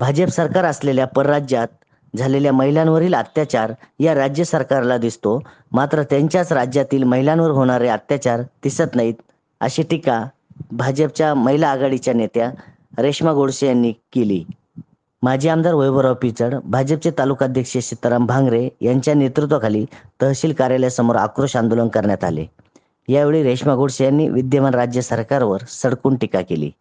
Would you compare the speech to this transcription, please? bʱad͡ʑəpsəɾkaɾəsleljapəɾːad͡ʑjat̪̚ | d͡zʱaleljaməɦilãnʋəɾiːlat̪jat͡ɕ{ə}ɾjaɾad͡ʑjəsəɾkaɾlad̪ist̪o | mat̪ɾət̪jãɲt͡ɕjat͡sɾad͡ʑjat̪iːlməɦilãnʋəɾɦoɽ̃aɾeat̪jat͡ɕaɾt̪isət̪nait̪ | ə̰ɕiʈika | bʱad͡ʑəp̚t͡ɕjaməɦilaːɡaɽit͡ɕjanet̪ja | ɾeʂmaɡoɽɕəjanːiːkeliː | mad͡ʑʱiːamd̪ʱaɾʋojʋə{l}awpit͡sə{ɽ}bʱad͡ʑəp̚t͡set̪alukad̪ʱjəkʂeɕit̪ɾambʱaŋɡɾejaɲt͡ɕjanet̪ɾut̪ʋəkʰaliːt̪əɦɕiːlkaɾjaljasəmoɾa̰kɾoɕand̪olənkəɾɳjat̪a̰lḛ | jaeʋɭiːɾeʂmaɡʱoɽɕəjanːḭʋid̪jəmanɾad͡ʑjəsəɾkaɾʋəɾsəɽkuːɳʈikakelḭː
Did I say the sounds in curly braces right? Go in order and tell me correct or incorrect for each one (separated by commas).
incorrect, incorrect, correct